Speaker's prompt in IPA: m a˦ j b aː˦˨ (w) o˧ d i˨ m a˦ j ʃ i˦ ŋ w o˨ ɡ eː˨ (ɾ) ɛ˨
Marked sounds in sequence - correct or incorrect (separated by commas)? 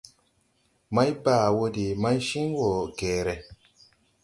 correct, correct